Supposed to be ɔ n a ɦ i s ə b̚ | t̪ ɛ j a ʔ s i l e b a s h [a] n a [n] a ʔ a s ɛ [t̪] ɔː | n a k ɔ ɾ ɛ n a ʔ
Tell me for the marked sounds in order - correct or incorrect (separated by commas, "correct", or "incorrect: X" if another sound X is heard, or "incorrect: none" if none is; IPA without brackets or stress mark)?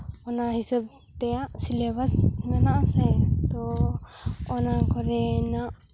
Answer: incorrect: i, correct, correct